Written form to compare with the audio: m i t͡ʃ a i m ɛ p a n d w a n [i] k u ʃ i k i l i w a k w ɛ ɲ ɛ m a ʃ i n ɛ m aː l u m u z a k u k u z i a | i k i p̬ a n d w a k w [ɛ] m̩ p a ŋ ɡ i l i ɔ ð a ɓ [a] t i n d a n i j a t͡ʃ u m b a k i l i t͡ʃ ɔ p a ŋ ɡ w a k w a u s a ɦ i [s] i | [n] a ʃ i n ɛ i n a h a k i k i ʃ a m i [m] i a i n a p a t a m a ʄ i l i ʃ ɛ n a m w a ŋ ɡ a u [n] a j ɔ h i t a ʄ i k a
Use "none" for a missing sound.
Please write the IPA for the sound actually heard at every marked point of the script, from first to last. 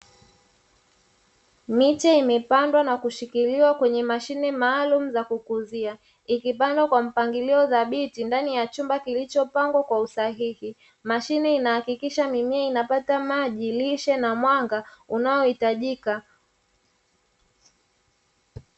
a, a, i, h, m, m, n

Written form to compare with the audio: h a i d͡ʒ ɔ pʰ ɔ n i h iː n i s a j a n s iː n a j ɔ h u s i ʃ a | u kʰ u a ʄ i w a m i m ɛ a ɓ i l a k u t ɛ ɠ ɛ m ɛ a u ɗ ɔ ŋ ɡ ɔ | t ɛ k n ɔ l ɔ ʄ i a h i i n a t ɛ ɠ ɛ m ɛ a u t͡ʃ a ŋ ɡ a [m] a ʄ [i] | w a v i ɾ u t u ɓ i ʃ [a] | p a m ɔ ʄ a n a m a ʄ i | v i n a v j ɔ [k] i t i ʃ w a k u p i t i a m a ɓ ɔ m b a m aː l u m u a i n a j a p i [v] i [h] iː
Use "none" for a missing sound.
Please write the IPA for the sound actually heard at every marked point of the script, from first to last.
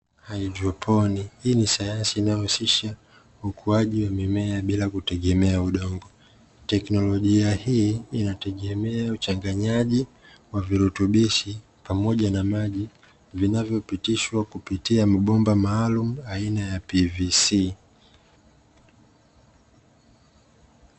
ɲ, i, i, p, v, s

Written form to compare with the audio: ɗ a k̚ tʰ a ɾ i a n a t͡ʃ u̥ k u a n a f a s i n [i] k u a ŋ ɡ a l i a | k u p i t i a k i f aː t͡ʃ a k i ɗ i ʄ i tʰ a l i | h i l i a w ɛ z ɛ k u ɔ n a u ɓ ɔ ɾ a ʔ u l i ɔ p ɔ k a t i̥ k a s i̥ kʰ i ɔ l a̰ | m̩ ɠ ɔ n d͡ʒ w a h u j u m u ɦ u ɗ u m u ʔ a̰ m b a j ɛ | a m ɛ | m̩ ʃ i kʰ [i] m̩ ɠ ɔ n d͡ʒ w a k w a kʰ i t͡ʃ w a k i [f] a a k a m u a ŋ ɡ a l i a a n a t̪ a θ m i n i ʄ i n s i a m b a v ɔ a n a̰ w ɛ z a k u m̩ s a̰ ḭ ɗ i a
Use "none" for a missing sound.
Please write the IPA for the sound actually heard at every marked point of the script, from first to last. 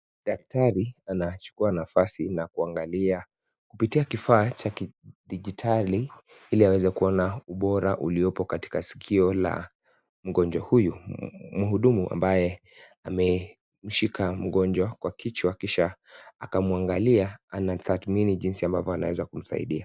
a, a, ʃ

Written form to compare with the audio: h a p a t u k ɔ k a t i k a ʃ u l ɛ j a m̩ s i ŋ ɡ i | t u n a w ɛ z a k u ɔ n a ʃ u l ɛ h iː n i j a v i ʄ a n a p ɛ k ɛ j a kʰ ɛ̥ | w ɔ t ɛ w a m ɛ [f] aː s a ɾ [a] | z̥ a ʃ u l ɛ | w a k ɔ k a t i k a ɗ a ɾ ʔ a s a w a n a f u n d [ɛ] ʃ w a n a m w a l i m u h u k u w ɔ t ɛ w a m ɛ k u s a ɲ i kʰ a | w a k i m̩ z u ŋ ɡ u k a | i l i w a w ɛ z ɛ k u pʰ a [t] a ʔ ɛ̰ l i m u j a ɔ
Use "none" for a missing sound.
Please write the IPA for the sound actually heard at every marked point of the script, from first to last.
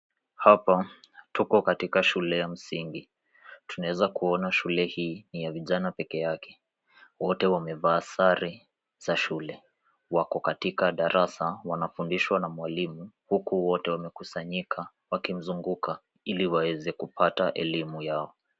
v, i, i, t

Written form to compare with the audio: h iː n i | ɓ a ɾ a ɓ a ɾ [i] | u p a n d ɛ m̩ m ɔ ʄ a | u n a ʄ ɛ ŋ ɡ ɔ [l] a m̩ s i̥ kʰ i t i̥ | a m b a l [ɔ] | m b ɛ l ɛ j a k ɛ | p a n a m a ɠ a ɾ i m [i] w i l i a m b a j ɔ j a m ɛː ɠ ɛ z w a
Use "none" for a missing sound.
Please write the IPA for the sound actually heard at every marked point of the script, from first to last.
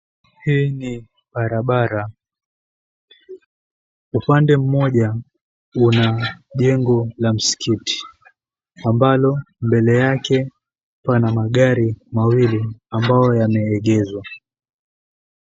a, l, ɔ, a

